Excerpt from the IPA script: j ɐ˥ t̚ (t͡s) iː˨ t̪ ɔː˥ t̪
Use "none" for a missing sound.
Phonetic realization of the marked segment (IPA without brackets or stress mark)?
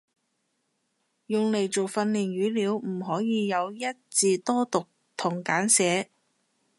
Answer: t͡s